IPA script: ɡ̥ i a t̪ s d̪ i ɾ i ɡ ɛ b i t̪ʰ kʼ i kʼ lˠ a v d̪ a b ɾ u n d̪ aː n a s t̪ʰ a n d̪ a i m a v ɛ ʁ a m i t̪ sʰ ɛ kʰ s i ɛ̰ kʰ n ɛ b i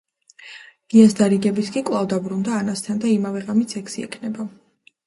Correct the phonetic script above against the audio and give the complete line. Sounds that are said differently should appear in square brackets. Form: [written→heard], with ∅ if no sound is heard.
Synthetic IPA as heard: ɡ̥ i a [t̪→∅] s d̪ [i→a] ɾ i ɡ ɛ b i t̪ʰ kʼ i kʼ lˠ a v d̪ a b ɾ u n d̪ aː n a s t̪ʰ a n d̪ a i m a v ɛ ʁ a m i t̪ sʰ ɛ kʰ s i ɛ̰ kʰ n ɛ b [i→a]